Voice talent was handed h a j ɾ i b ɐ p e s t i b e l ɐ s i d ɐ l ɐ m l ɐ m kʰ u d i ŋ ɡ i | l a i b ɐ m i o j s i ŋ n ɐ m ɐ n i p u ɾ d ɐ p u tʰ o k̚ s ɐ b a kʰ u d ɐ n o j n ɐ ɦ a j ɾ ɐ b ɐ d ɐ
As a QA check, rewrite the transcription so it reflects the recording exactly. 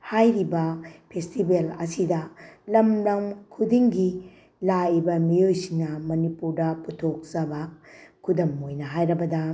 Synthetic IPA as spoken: h a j ɾ i b ɐ pʰ e s t i b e l ɐ s i d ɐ l ɐ m l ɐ m kʰ u d i ŋ ɡ i | l a i b ɐ m i o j s i ŋ n ɐ m ɐ n i p u ɾ d ɐ p u tʰ o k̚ s ɐ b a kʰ u d ɐ m o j n ɐ ɦ a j ɾ ɐ b ɐ d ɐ